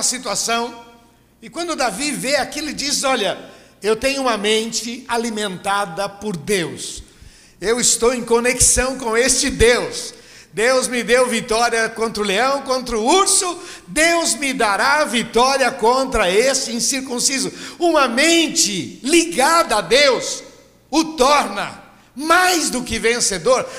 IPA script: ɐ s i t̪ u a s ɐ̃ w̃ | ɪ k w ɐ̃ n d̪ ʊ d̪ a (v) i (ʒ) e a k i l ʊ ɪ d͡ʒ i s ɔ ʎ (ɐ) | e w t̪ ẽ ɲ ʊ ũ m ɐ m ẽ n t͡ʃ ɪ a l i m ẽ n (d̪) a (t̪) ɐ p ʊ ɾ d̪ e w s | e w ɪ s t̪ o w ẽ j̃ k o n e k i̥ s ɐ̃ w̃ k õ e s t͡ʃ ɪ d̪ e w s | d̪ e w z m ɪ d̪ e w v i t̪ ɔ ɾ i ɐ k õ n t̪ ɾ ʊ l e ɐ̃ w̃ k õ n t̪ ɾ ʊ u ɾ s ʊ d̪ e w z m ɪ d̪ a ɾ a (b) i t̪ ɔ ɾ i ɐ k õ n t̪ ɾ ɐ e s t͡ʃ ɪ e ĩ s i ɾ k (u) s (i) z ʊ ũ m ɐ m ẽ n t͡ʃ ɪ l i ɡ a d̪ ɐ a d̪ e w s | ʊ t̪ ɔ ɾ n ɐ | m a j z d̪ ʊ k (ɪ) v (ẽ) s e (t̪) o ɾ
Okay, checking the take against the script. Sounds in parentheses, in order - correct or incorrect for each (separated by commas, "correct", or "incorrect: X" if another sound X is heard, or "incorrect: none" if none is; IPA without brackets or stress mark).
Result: correct, incorrect: v, correct, incorrect: t̪, incorrect: d̪, incorrect: v, incorrect: ũ, correct, correct, correct, incorrect: d̪